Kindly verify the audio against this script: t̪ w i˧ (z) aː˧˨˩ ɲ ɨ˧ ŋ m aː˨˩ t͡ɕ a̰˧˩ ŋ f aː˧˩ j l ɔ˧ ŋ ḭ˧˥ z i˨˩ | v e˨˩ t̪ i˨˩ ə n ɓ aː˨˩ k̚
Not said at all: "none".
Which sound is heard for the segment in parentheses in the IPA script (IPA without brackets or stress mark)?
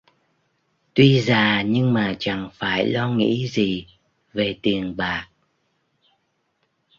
z